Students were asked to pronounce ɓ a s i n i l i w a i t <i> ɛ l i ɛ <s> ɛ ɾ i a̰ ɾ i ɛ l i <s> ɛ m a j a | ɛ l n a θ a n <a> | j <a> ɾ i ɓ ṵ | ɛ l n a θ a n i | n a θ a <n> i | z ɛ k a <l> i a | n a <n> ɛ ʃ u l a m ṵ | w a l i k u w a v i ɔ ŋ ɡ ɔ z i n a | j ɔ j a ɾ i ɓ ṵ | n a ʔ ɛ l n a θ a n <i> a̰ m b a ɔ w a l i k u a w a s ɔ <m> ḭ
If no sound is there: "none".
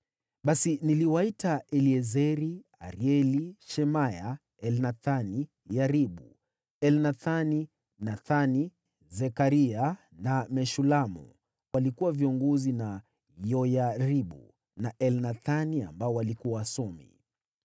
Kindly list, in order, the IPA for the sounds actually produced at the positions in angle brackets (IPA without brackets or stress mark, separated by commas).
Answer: a, z, ʃ, i, a, n, ɾ, m, i, m